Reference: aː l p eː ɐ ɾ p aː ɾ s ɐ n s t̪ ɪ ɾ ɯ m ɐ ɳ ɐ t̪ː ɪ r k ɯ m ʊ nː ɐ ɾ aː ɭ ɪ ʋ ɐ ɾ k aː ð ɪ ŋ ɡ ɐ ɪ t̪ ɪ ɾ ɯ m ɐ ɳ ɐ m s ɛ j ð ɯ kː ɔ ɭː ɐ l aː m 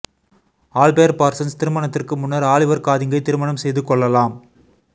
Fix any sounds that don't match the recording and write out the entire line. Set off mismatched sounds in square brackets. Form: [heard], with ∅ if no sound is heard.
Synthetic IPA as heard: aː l p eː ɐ ɾ p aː ɾ s ɐ n s t̪ ɪ ɾ ɯ m ɐ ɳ ɐ t̪ː ɪ r k ɯ m ʊ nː ɐ ɾ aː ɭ ɪ ʋ ɐ ɾ k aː ð ɪ ŋ ɡ ɐ ɪ t̪ ɪ ɾ ɯ m ɐ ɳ ɐ m s ɛ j ð ɯ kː ɔ ɭː ɐ l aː m